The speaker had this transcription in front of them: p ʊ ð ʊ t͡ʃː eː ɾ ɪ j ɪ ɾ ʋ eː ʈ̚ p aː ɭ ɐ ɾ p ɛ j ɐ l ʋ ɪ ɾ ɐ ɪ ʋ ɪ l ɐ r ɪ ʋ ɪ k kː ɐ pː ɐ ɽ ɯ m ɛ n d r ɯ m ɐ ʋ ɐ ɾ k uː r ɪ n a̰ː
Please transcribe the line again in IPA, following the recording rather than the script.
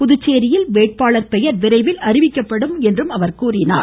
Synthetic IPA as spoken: p ʊ ð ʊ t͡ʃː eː ɾ ɪ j ɪ l ʋ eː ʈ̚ p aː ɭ ɐ ɾ p ɛ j ɐ ɾ ʋ ɪ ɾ ɐ ɪ ʋ ɪ l ɐ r ɪ ʋ ɪ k kː ɐ pː ɐ ɽ ɯ m ɛ n d r ɯ m ɐ ʋ ɐ ɾ k uː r ɪ n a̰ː

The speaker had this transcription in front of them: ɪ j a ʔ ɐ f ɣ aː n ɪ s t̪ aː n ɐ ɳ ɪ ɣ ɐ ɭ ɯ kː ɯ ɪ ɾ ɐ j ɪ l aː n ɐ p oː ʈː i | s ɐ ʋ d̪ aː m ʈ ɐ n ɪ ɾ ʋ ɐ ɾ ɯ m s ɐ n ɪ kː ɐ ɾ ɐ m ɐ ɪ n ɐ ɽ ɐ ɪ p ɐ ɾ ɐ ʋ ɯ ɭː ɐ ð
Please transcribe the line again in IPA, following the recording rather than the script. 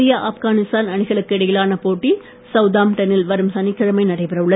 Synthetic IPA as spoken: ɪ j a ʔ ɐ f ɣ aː n ɪ s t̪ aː n ɐ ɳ ɪ ɣ ɐ ɭ ɯ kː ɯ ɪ ɽ ɐ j ɪ l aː n ɐ p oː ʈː i | s ɐ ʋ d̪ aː m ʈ ɐ n ɪ l ʋ ɐ ɾ ɯ m s ɐ n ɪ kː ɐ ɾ ɐ m ɐ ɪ n ɐ ɽ ɐ ɪ p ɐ ɾ ɐ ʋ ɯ ɭː ɐ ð

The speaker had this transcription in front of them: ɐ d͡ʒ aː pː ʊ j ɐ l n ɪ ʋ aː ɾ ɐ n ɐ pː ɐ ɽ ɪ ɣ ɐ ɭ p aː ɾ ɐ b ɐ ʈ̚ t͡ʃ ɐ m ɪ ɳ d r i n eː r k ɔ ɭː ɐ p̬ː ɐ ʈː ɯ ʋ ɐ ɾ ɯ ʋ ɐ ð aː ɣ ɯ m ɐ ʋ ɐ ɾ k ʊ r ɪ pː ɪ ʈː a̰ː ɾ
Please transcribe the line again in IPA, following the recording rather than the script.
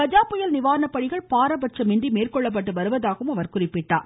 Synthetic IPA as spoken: ɐ d͡ʒ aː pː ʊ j ɐ l n ɪ ʋ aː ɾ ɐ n ɐ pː ɐ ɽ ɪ ɣ ɐ ɭ p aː ɾ ɐ b ɐ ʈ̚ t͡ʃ ɐ m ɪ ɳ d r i m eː r k ɔ ɭː ɐ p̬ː ɐ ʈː ɯ ʋ ɐ ɾ ɯ ʋ ɐ ð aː ɣ ɯ m ɐ ʋ ɐ ɾ k ʊ r ɪ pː ɪ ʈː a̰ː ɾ

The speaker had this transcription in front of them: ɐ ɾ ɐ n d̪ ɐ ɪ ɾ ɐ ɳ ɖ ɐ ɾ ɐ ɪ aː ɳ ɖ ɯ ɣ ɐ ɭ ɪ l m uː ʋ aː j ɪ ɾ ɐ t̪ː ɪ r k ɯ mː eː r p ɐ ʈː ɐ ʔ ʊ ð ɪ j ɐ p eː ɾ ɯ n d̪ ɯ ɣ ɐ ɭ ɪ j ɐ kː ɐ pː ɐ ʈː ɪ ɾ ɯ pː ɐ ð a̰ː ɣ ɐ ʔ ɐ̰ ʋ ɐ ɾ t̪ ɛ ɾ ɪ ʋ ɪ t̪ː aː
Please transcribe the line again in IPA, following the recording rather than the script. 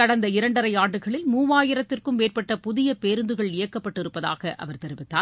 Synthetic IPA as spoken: ɐ ɽ ɐ n d̪ ɐ ɪ ɾ ɐ ɳ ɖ ɐ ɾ ɐ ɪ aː ɳ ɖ ɯ ɣ ɐ ɭ ɪ l m uː ʋ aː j ɪ ɾ ɐ t̪ː ɪ r k ɯ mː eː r p ɐ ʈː ɐ p ʊ ð ɪ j ɐ p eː ɾ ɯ n d̪ ɯ ɣ ɐ ɭ ɪ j ɐ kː ɐ pː ɐ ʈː ɪ ɾ ɯ pː ɐ ð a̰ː ɣ ɐ ʔ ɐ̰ ʋ ɐ ɾ t̪ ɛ ɾ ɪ ʋ ɪ t̪ː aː

